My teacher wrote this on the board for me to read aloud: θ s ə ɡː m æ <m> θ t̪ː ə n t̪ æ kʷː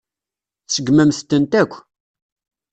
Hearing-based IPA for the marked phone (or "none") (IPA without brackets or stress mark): m